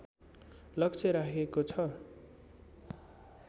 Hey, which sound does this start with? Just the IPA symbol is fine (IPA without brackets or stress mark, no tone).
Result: l